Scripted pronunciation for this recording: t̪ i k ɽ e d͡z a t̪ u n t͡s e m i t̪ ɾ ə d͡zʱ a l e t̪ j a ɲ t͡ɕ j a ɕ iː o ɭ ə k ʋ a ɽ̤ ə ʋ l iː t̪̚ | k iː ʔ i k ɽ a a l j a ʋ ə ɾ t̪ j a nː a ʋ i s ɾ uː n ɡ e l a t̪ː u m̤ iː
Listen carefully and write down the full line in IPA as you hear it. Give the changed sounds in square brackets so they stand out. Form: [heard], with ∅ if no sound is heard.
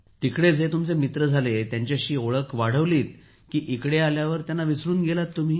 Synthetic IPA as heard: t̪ i k ɽ e d͡z [e] t̪ u [m] t͡s e m i t̪ ɾ ə d͡zʱ a l e t̪ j a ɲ t͡ɕ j a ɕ iː o ɭ ə k ʋ a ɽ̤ ə ʋ l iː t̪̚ | k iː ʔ i k ɽ [e] a l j a ʋ ə ɾ t̪ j a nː a ʋ i s ɾ uː n ɡ e l a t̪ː u m̤ iː

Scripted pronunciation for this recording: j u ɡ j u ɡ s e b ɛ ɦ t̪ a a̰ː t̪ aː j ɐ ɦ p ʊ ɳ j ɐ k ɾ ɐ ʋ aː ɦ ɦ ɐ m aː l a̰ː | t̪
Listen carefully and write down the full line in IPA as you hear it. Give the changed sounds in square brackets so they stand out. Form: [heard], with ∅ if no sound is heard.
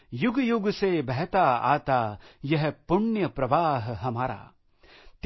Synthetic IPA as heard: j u ɡ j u ɡ s e b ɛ ɦ t̪ a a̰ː t̪ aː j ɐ ɦ p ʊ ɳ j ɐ [p] ɾ ɐ ʋ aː ɦ ɦ ɐ m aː [ɾ] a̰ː | t̪

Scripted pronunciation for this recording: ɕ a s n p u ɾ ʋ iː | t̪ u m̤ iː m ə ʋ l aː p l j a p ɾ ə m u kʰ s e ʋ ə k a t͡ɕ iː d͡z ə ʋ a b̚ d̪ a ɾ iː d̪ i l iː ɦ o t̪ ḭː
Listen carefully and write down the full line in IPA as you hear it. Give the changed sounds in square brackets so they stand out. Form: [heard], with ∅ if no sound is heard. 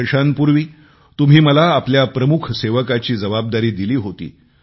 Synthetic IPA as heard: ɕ a [∅] n p u ɾ ʋ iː | t̪ u m̤ iː m ə [∅] l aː p l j a p ɾ ə m u kʰ s e ʋ ə k a t͡ɕ iː d͡z ə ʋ a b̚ d̪ a ɾ iː d̪ i l iː ɦ o t̪ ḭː

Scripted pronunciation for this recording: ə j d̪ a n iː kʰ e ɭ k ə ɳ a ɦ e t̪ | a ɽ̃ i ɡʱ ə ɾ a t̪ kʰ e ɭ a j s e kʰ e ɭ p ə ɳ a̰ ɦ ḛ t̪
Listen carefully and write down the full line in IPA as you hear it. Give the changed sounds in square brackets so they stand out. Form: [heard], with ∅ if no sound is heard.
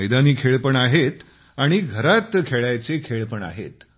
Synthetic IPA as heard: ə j d̪ a n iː kʰ e ɭ [p] ə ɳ a ɦ e t̪ | a ɽ̃ i ɡʱ ə ɾ a t̪ kʰ e ɭ a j [t͡s] e kʰ e ɭ p ə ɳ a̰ ɦ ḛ t̪

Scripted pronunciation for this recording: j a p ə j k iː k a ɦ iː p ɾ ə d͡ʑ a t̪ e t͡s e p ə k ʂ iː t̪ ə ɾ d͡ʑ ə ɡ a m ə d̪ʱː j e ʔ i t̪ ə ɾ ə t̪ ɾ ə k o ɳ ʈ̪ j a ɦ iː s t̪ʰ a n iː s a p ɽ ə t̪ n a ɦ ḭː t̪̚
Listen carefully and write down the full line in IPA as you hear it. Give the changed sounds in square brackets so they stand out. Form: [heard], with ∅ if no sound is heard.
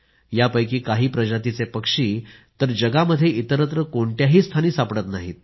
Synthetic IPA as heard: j a p ə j k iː k a ɦ iː p ɾ ə d͡ʑ a t̪ [i] t͡s e p ə k ʂ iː t̪ ə ɾ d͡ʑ ə ɡ a m ə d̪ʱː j e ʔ i t̪ ə ɾ ə t̪ ɾ ə k o ɳ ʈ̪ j a ɦ iː s t̪ʰ a n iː s a p ɽ ə t̪ n a ɦ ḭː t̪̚

